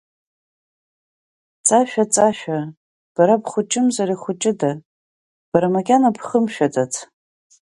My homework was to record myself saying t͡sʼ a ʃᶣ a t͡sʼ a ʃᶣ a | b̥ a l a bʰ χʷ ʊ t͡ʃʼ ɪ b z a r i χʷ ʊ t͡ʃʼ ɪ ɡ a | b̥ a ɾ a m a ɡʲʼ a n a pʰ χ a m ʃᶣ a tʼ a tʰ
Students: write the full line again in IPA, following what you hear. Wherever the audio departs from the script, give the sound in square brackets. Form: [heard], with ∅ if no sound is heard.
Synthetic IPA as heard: t͡sʼ a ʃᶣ a t͡sʼ a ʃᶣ a | b̥ a [ɾ] a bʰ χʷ ʊ t͡ʃʼ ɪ [m] z a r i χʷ ʊ t͡ʃʼ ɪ [d] a | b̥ a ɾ a m a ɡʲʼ a n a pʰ χ [ə] m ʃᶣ a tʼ a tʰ